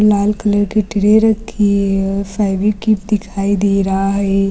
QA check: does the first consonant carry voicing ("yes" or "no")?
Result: yes